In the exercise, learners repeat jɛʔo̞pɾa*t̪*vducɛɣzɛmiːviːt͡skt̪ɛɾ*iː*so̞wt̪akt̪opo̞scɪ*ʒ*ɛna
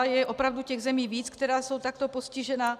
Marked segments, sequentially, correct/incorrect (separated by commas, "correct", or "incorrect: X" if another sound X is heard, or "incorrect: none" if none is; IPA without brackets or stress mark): incorrect: none, incorrect: aː, correct